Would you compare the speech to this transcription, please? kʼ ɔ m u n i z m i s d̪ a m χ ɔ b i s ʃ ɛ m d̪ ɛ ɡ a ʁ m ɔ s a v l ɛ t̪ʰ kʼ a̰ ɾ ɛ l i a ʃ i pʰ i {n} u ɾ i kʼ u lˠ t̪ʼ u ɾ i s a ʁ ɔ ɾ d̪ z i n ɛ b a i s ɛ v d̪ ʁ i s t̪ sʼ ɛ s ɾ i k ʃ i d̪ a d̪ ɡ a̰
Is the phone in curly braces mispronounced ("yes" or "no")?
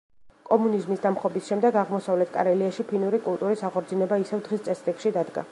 no